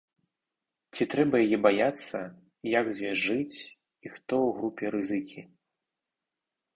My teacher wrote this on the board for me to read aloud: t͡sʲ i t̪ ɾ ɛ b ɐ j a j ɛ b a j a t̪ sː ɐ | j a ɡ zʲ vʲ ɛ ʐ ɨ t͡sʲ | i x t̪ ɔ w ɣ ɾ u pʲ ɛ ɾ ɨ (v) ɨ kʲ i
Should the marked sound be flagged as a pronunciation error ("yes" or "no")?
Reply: yes